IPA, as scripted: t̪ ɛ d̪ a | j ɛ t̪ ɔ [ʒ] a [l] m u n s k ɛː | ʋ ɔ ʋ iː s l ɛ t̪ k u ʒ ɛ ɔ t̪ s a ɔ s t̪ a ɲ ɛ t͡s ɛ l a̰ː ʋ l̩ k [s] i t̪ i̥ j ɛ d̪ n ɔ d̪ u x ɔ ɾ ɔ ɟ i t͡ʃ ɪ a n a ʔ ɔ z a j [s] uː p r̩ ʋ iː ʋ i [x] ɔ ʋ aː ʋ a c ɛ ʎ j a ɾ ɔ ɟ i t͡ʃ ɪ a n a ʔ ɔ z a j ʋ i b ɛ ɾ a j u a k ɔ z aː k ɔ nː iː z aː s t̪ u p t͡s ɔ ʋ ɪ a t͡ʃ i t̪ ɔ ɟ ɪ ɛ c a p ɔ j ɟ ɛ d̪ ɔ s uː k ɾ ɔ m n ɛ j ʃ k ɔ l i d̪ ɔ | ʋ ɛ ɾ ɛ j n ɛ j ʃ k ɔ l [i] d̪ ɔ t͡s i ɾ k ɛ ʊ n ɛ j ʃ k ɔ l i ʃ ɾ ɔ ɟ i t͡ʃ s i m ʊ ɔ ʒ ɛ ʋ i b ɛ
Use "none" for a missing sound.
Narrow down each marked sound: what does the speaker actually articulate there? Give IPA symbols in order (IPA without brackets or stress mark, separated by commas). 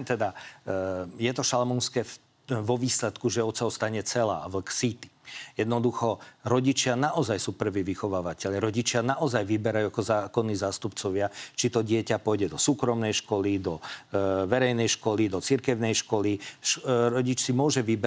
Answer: ʃ, l, s, s, x, i